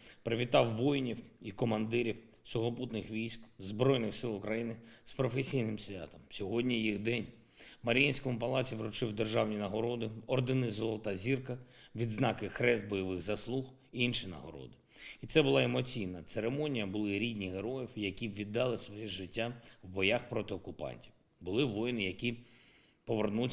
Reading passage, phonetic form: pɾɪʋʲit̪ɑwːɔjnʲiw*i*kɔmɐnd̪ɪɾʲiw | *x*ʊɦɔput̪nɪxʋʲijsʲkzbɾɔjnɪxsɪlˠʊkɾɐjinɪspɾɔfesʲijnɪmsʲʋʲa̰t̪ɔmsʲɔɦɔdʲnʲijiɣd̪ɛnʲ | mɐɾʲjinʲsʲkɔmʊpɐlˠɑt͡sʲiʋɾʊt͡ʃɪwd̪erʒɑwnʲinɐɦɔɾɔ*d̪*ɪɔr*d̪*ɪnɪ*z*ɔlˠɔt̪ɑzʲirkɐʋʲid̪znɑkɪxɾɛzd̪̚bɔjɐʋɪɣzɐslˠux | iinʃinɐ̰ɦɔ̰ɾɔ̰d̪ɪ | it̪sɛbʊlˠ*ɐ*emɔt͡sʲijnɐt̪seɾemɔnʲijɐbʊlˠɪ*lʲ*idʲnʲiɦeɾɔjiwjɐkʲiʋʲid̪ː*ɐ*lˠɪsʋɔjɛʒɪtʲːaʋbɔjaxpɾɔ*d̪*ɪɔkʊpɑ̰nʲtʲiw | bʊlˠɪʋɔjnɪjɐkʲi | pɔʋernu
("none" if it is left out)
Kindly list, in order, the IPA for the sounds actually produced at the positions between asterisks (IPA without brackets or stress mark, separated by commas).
i, s, d̪, d̪, z, ɑ, ɾʲ, ɑ, t̪